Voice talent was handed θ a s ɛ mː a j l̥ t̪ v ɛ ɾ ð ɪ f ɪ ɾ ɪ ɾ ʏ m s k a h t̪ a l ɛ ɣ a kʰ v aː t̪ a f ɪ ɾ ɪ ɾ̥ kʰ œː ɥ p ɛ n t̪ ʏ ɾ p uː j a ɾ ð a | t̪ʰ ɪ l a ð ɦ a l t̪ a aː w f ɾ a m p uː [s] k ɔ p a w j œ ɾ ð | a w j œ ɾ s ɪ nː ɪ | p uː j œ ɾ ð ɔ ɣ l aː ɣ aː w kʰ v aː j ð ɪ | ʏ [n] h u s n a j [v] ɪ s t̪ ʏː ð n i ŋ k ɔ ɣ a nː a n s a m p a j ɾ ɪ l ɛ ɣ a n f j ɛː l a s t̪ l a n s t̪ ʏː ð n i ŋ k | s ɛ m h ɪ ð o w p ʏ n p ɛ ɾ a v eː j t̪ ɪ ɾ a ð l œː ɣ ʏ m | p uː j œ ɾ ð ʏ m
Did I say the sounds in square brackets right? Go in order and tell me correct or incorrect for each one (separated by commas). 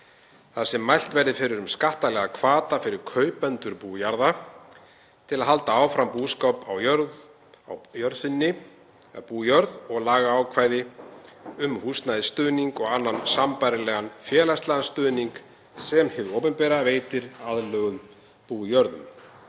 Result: correct, incorrect, incorrect